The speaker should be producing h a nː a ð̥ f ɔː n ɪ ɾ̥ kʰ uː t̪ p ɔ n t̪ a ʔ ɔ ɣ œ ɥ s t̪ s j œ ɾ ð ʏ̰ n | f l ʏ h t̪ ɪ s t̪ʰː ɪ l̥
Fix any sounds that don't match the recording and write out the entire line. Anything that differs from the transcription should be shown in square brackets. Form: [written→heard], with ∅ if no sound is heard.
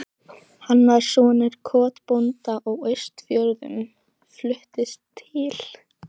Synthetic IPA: h a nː a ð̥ [f→s] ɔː n ɪ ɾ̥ kʰ [uː→ɔː] t̪ p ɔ n t̪ a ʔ ɔ ɣ œ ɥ s t̪ [s→f] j œ ɾ ð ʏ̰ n | f l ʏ h t̪ ɪ s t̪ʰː ɪ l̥